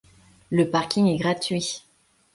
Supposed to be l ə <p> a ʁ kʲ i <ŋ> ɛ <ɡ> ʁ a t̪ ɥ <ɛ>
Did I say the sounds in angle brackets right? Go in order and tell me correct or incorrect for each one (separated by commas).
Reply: correct, correct, correct, incorrect